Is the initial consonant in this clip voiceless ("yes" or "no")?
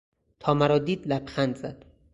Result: yes